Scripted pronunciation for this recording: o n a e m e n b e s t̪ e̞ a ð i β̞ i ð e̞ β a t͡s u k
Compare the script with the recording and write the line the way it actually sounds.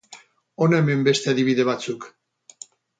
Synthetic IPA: o n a e m e m b e s t̪ e̞ a ð i β̞ i ð e̞ β a t͡s u k